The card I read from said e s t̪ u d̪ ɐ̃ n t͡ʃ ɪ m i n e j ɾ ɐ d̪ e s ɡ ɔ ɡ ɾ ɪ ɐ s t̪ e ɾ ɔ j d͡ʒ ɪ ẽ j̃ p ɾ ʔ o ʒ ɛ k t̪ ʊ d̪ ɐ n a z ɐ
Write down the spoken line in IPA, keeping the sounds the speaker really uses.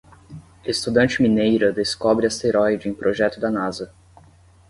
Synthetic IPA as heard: e s t̪ u d̪ ɐ̃ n t͡ʃ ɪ m i n e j ɾ ɐ d̪ e s k ɔ b ɾ ɪ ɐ s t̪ e ɾ ɔ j d͡ʒ ɪ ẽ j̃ p ɾ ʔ o ʒ ɛ t̪ ʊ d̪ ɐ n a z ɐ